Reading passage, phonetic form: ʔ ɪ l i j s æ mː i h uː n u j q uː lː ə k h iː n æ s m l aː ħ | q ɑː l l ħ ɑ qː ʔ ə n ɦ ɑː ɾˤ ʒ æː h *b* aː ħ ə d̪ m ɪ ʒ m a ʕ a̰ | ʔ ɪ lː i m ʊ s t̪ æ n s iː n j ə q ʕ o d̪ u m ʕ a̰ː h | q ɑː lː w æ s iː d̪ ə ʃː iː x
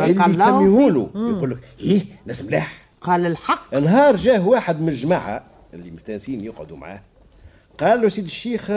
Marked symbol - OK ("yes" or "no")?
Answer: no